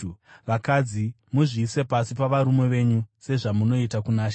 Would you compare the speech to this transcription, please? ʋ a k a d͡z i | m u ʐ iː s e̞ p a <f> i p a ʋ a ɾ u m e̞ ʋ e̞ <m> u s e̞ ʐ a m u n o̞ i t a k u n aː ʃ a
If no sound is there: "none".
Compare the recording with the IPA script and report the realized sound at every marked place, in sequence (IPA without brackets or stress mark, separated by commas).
s, ɲ